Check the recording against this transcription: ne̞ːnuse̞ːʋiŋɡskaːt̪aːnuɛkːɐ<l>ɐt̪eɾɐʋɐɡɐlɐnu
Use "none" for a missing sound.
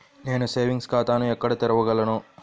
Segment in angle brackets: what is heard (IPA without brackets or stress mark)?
ɽ